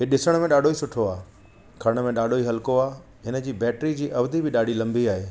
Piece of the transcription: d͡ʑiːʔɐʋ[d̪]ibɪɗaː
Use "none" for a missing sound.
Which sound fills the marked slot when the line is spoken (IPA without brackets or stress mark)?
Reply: d̪